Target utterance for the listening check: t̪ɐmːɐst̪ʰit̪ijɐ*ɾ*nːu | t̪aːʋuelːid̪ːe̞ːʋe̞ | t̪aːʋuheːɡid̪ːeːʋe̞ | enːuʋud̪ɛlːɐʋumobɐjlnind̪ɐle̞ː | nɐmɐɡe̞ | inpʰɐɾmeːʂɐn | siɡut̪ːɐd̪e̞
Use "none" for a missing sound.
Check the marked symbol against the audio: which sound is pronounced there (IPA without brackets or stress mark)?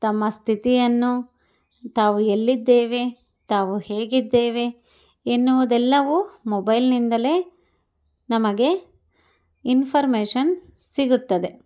none